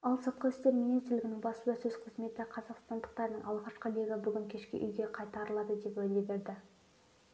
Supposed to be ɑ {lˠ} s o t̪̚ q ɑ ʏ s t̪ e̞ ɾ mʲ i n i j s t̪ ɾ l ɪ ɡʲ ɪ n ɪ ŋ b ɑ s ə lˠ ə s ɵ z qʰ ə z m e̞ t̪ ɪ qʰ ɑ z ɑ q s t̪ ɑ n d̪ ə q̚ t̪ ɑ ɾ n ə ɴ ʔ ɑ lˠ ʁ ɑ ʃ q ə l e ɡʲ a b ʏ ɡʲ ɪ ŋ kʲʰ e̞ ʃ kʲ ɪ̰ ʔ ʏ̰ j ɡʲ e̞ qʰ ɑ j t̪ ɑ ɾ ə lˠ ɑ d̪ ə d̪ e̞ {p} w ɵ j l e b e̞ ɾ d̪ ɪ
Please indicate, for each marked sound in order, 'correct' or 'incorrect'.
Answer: correct, correct

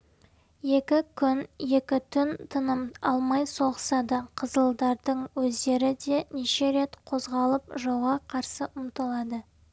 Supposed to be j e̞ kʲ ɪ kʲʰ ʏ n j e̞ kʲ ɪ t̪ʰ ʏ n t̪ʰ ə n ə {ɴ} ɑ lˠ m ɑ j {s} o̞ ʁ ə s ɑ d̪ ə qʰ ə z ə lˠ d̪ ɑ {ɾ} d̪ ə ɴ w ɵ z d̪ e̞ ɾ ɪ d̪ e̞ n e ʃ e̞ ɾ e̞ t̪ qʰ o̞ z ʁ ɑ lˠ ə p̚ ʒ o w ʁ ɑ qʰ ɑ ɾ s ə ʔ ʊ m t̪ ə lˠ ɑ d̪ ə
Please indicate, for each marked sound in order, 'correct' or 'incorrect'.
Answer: incorrect, correct, correct

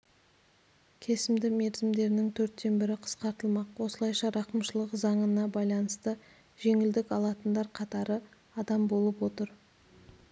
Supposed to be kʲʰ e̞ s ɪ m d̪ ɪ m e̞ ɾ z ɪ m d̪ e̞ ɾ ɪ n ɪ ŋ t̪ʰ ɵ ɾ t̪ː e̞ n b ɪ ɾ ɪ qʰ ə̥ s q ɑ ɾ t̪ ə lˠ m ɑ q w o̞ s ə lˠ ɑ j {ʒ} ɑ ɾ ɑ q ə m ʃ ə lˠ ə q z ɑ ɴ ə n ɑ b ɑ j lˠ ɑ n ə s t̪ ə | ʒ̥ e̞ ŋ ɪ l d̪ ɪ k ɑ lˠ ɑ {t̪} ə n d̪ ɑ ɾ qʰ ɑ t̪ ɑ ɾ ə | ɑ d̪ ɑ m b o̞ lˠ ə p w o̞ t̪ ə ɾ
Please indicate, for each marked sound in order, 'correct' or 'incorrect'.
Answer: incorrect, correct

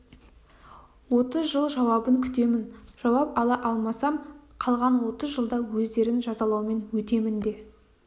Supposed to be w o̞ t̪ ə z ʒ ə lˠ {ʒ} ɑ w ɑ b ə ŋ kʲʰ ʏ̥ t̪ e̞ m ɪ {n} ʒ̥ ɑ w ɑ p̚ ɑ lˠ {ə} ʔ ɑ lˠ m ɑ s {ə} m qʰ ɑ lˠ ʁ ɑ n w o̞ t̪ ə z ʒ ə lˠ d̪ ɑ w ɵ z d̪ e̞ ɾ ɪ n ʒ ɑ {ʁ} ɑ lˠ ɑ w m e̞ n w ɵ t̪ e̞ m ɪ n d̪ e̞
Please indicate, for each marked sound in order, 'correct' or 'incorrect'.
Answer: correct, correct, incorrect, incorrect, incorrect

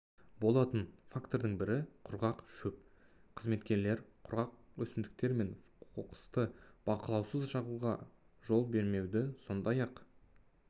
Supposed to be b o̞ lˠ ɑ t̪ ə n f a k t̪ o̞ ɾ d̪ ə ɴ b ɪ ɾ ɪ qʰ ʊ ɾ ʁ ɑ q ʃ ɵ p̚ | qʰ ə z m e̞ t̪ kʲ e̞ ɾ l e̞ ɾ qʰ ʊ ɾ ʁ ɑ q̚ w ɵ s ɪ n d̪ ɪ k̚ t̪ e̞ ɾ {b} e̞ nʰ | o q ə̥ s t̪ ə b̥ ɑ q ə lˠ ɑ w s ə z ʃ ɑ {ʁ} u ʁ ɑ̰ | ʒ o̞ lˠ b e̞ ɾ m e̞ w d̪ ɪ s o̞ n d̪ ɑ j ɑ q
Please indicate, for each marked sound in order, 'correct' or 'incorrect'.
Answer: incorrect, correct

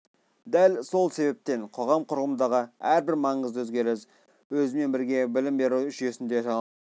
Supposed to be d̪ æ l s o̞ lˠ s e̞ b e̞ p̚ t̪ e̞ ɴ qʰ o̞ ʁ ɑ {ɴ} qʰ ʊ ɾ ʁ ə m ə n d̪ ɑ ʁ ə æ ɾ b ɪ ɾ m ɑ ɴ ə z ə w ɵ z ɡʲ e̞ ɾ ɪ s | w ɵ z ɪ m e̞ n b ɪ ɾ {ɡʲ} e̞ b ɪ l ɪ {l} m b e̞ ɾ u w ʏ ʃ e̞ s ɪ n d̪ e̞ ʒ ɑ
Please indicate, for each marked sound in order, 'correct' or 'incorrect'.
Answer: incorrect, correct, incorrect

